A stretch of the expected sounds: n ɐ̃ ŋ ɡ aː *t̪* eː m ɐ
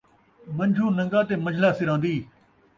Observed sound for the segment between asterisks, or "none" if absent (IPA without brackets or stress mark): t̪